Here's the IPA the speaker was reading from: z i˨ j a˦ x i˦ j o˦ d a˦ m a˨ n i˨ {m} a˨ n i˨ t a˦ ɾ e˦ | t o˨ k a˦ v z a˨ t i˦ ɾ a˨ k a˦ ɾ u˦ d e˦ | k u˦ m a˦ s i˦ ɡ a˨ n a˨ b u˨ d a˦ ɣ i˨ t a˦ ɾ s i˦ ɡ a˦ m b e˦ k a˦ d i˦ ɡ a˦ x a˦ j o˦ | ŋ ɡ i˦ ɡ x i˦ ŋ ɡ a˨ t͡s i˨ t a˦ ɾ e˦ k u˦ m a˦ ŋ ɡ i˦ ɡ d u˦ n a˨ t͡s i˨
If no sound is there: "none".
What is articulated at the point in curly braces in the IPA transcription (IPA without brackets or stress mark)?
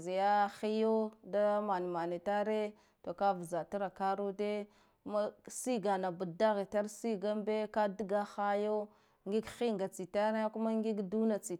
m